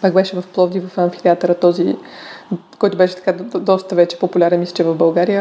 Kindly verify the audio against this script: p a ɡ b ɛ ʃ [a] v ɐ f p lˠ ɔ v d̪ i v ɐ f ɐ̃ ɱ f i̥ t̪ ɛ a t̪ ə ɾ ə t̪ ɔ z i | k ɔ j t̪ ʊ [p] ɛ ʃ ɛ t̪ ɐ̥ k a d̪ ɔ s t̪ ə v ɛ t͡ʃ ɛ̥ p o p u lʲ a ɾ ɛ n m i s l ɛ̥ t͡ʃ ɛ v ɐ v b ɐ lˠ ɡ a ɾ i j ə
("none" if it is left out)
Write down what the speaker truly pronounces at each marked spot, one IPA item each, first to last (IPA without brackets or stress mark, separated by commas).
ɛ, b